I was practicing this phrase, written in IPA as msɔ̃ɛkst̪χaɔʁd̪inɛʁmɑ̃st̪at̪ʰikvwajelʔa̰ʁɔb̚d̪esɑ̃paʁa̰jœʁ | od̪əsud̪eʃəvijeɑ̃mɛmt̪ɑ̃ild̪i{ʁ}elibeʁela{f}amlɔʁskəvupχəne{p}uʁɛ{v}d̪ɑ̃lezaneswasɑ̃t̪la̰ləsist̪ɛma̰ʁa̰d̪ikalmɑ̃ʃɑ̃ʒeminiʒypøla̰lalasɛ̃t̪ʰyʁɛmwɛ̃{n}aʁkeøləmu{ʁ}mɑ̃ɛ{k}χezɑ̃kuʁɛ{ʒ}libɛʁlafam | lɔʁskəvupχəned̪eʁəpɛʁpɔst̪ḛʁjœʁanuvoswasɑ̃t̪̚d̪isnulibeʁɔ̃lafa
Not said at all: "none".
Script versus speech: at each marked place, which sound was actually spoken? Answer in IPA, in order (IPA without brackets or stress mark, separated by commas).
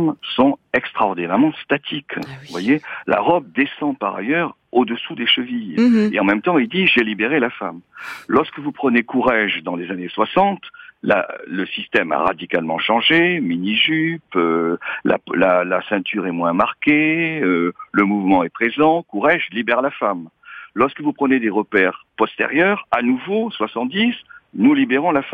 ʒ, f, k, ʒ, m, v, p, ʒ